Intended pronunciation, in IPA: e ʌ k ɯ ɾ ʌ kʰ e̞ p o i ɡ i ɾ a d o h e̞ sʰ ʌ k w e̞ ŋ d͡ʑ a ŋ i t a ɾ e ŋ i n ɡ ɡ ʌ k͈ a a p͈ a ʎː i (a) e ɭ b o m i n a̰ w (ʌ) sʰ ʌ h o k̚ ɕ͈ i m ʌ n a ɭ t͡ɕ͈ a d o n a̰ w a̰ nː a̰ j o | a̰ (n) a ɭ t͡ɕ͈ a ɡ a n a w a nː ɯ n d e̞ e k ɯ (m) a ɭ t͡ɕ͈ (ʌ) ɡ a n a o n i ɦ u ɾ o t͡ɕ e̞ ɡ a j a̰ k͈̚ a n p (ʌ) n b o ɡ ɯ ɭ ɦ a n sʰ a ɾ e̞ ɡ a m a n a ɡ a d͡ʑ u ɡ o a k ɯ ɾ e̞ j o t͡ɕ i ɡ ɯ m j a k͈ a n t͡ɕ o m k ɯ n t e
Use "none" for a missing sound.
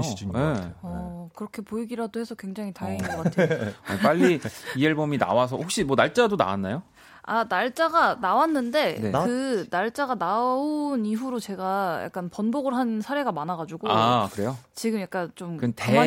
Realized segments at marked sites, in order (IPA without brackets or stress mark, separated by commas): i, a, n, n, a, ʌ